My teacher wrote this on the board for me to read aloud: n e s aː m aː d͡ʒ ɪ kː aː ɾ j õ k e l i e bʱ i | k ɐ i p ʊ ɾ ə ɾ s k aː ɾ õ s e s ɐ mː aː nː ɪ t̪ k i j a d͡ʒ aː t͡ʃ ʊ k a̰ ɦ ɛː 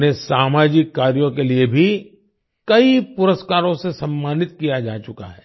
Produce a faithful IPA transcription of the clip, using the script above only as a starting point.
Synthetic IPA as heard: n e s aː m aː d͡ʒ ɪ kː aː ɾ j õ k e l i e bʱ i | k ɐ i p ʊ ɾ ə s k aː ɾ õ s e s ɐ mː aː n ɪ t̪ k i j a d͡ʒ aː t͡ʃ ʊ k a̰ ɦ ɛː